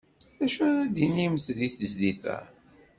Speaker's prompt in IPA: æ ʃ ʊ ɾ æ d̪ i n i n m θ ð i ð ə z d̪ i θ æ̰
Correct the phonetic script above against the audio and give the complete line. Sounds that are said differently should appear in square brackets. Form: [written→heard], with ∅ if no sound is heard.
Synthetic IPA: æ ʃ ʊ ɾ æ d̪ i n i [n→∅] m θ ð i [ð→θ] ə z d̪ i θ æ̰